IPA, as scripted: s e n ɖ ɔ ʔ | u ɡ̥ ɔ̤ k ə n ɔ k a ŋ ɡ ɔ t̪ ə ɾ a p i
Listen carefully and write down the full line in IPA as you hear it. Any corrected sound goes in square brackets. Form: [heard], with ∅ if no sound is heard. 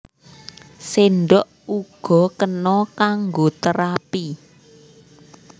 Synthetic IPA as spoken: s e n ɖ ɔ ʔ | u ɡ̥ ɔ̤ k ə n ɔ k a ŋ ɡ [o] t̪ ə ɾ a p i